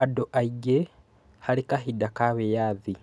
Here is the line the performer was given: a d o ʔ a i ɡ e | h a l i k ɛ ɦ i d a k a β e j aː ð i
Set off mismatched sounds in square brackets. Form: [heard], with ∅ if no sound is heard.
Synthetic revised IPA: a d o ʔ a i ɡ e | h a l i k [a] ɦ i d a k a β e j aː ð i